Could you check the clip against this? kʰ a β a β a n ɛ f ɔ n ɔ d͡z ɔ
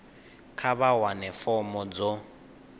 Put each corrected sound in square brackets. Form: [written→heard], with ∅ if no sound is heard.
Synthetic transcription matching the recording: kʰ a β a [β→w] a n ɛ f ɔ [n→m] ɔ d͡z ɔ